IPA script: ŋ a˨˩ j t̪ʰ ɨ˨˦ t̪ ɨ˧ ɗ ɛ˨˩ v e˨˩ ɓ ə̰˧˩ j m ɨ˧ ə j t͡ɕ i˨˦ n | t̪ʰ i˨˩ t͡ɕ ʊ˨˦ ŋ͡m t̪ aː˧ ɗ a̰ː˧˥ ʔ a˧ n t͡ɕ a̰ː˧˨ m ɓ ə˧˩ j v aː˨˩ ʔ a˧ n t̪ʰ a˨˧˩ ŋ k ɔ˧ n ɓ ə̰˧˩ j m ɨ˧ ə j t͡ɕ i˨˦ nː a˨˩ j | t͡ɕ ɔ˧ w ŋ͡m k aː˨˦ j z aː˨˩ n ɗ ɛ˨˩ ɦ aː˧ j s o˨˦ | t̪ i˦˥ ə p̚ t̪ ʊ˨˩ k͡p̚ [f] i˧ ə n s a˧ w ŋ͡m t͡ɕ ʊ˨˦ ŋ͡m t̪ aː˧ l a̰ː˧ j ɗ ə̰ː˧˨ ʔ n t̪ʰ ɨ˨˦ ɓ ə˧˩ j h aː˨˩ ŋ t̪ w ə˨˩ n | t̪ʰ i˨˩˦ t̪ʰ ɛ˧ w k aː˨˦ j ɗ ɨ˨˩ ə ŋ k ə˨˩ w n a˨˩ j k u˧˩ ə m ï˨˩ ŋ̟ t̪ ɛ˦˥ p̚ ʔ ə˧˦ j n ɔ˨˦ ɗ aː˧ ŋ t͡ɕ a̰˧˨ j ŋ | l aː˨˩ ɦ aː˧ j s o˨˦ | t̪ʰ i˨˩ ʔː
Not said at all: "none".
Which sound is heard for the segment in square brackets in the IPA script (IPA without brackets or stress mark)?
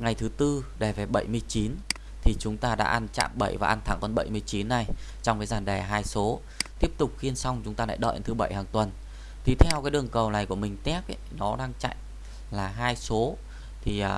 x